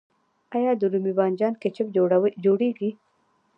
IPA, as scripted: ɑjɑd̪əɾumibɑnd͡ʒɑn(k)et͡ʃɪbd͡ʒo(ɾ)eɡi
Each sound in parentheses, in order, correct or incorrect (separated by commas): correct, incorrect